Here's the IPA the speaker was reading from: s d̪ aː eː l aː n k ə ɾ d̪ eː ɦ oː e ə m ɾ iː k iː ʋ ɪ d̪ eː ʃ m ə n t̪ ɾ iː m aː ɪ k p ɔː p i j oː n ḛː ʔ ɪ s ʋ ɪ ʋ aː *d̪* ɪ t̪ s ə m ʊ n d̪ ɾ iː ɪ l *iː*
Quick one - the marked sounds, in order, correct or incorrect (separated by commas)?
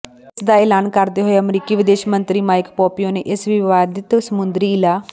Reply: correct, incorrect